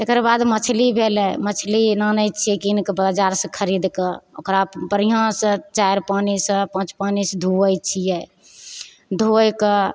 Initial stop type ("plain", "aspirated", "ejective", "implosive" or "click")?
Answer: plain